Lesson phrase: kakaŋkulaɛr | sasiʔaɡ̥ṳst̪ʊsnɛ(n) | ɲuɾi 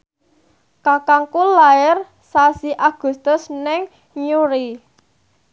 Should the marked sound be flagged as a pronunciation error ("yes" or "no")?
yes